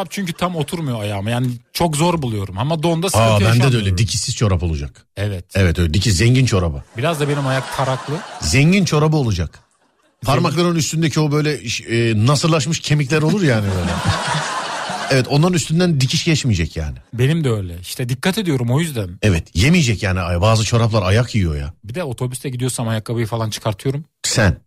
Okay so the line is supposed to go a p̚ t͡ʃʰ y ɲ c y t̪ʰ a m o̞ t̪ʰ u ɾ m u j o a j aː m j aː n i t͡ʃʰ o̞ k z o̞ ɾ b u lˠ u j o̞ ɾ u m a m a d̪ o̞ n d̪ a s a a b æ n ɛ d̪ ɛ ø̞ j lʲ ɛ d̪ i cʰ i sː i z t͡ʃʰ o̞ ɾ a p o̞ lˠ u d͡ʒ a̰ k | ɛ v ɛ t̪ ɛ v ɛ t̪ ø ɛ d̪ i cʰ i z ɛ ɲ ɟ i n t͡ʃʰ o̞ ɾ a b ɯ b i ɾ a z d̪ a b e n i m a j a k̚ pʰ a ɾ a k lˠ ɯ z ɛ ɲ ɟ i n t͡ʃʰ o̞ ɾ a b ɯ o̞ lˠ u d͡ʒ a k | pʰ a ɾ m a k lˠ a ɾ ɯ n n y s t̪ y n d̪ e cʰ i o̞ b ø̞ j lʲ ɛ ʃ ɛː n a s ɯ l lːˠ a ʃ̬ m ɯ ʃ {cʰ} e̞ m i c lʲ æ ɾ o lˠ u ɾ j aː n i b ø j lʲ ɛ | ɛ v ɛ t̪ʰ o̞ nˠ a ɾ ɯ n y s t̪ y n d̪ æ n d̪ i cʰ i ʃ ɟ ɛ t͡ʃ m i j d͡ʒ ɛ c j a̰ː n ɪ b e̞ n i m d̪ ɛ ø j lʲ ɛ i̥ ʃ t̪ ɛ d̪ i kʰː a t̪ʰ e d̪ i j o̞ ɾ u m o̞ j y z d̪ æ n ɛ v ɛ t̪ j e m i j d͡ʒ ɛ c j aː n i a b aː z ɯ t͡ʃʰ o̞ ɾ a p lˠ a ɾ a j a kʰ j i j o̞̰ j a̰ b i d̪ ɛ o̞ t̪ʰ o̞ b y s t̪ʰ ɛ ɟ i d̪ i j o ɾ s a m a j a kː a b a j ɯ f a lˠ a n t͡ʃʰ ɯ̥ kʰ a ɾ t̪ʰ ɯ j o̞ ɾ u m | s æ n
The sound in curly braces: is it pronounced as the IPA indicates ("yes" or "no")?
yes